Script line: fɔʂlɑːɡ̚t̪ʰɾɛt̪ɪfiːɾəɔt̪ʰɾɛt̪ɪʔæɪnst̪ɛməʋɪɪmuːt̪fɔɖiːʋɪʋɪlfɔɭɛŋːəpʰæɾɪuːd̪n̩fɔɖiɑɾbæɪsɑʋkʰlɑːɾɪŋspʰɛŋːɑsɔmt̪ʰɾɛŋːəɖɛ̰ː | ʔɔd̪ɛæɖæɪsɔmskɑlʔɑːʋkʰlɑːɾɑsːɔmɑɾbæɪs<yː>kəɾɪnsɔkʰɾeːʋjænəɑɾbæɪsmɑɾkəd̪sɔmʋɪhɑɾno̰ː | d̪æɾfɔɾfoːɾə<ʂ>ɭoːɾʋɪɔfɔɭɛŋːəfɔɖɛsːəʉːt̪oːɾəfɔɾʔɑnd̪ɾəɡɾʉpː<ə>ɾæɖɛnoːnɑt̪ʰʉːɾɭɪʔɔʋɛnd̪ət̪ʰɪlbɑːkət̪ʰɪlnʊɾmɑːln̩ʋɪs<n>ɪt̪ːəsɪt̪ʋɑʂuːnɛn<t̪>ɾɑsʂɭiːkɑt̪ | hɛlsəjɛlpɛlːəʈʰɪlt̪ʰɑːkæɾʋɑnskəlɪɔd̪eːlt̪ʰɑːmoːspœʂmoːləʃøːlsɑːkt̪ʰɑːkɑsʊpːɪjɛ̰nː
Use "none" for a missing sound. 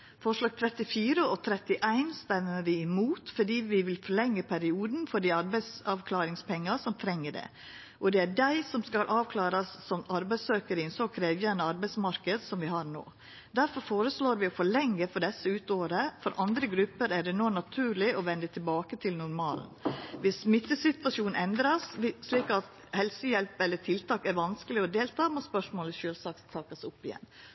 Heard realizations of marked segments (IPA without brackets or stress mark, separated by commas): øː, s, ə, m, d̪